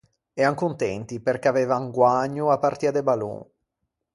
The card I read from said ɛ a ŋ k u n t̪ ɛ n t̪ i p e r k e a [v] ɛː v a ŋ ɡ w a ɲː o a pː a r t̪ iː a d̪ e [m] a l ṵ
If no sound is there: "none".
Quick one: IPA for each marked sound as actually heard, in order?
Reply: v, b

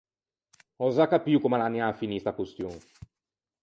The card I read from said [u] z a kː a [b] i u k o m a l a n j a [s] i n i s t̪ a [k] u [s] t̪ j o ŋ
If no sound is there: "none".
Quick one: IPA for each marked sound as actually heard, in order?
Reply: ɔ, p, f, k, s

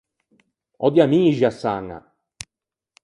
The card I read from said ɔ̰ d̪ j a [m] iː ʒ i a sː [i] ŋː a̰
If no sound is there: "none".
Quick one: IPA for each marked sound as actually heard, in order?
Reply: m, a

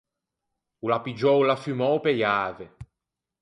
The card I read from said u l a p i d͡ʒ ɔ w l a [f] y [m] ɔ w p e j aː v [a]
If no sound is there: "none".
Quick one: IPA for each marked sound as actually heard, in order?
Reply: f, m, e

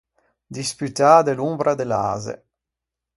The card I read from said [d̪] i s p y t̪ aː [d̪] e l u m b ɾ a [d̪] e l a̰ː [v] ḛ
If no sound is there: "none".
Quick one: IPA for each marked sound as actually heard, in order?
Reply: d̪, d̪, d̪, z

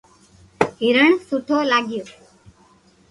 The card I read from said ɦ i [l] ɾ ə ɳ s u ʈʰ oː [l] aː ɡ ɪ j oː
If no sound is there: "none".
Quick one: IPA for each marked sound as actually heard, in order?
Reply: none, l

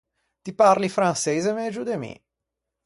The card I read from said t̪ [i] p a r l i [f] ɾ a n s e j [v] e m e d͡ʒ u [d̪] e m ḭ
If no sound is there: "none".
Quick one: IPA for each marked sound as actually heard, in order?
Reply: i, f, z, d̪

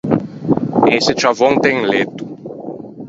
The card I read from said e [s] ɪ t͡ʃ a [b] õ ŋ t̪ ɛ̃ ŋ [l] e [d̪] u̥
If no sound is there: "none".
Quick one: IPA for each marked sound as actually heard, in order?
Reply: s, v, l, t̪

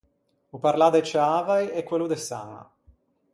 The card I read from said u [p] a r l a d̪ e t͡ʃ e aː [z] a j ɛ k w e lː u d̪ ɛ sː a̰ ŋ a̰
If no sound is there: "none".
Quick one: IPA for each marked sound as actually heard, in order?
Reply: p, v

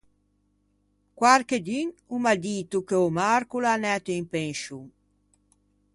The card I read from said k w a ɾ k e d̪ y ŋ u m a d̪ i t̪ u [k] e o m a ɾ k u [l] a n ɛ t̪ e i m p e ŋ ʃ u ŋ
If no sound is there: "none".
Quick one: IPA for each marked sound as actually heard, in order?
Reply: k, l

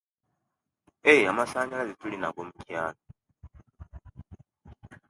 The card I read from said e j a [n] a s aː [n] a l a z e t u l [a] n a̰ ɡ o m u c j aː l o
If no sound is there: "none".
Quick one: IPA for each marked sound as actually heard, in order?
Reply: m, ɲ, i

